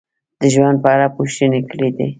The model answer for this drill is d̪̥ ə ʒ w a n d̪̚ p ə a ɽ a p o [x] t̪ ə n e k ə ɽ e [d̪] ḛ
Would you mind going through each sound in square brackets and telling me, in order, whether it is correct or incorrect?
incorrect, correct

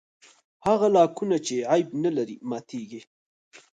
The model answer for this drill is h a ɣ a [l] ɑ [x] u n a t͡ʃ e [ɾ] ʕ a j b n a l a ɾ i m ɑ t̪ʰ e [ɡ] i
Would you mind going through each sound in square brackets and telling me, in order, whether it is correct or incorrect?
correct, incorrect, incorrect, correct

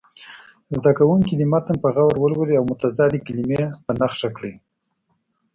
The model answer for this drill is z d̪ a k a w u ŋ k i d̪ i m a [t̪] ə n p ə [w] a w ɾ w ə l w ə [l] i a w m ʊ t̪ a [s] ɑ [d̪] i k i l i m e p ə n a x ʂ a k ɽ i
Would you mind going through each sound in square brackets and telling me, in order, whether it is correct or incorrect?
correct, incorrect, correct, incorrect, correct

